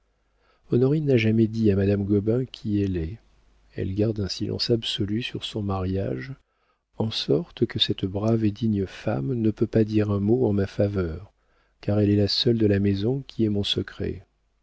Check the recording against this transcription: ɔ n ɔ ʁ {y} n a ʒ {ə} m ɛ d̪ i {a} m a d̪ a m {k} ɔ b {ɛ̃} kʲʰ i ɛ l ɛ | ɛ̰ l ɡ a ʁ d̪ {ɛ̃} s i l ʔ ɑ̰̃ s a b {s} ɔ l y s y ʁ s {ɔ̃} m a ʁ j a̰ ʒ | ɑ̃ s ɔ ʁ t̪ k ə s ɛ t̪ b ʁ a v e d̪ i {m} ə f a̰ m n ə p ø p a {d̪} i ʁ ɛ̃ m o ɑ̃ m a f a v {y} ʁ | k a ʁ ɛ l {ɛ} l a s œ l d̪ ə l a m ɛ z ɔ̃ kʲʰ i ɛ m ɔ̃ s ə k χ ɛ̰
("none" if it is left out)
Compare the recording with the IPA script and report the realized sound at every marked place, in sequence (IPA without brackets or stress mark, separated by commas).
i, a, a, ɡ, ɛ̃, ɛ̃, s, ɔ̃, ɲ, d̪, œ, ɛ